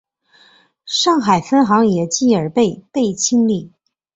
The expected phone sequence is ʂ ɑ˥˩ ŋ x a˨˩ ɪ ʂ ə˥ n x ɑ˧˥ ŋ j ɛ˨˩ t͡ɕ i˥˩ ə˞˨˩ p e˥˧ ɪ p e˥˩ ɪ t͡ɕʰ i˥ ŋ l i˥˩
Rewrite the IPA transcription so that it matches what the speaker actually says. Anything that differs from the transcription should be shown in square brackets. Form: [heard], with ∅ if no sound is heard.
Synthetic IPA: ʂ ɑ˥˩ ŋ x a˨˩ ɪ [f] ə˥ n x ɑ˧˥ ŋ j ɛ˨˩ t͡ɕ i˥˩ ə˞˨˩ p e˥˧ ɪ p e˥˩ ɪ t͡ɕʰ i˥ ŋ l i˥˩